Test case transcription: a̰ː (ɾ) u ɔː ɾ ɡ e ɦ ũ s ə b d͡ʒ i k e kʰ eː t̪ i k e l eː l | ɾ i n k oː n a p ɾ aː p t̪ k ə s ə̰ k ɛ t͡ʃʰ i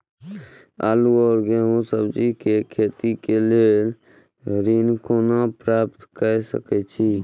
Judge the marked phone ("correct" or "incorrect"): incorrect